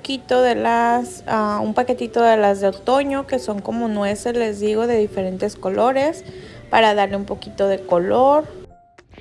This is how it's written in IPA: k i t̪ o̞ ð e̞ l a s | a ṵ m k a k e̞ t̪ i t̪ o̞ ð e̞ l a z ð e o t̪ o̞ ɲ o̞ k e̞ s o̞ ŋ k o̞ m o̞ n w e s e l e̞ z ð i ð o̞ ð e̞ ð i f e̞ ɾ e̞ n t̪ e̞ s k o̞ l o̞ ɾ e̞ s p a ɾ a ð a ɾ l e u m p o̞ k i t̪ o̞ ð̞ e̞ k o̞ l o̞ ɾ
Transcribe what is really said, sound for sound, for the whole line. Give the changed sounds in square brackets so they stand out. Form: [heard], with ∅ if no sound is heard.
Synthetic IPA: k i t̪ o̞ ð e̞ l a s | a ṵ m [p] a k e̞ t̪ i t̪ o̞ ð e̞ l a z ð e o t̪ o̞ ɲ o̞ k e̞ s o̞ ŋ k o̞ m o̞ n w e s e l e̞ z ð i [ɣ] o̞ ð e̞ ð i f e̞ ɾ e̞ n t̪ e̞ s k o̞ l o̞ ɾ e̞ s p a ɾ a ð a ɾ l e u m p o̞ k i t̪ o̞ ð̞ e̞ k o̞ l o̞ ɾ